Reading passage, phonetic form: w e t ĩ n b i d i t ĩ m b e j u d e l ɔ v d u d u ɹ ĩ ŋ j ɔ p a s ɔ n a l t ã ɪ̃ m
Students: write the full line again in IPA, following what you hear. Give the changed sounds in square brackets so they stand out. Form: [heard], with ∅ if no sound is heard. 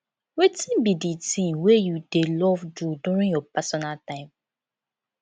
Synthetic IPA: w e t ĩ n b i d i t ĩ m [w] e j u d e l ɔ v d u d u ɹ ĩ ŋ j ɔ p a s ɔ n a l t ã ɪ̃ m